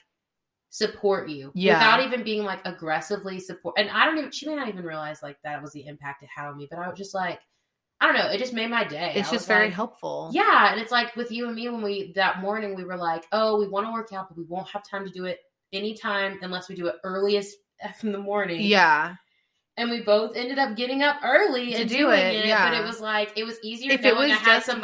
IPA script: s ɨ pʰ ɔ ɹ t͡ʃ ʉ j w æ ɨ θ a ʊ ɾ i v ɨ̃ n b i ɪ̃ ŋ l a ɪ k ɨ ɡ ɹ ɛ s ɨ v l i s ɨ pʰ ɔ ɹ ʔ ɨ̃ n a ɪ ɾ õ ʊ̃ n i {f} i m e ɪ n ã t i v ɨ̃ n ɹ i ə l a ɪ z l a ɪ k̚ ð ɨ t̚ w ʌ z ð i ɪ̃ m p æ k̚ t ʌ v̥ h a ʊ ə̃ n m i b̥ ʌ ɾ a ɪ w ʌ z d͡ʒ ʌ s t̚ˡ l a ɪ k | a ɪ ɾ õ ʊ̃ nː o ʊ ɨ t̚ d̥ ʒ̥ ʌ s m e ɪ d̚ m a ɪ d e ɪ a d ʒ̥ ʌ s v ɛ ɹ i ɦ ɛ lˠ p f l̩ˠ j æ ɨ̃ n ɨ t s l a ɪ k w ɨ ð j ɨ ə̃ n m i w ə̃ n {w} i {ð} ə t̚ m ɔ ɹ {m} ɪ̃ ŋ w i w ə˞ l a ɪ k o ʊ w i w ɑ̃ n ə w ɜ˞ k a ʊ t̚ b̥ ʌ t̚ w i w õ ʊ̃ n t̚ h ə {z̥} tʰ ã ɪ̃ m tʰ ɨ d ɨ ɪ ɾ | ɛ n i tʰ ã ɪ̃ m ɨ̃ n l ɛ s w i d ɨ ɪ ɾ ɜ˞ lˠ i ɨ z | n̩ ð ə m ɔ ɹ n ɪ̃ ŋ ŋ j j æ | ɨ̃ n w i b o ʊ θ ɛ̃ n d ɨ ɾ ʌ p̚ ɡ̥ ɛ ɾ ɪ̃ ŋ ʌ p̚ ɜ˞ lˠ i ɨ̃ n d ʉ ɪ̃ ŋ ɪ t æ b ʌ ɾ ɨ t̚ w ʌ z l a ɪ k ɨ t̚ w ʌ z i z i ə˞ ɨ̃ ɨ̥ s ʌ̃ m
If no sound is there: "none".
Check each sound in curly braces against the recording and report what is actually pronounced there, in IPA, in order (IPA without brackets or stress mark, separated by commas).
ʃ, w, ð, n, v̥